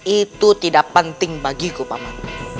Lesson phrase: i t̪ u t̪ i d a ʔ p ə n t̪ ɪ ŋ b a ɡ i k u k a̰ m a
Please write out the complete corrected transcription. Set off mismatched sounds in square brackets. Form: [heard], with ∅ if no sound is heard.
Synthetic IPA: i t̪ u t̪ i d a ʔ p ə n t̪ ɪ ŋ b a ɡ i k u [p] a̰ m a